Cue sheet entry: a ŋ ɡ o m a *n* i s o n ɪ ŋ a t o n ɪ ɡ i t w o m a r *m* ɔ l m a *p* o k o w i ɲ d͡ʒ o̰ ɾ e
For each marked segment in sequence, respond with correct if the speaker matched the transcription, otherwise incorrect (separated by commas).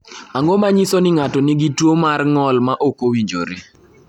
incorrect, incorrect, incorrect